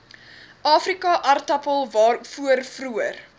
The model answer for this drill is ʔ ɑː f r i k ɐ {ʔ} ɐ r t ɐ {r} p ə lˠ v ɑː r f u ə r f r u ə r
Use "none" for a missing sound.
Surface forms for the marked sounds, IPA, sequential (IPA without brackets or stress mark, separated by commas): ʔ, none